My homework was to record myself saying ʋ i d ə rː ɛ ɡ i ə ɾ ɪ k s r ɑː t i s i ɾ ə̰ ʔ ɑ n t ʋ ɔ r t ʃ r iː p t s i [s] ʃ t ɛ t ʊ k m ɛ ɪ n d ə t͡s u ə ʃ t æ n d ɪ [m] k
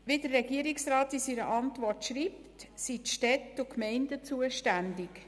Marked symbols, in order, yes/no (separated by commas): no, no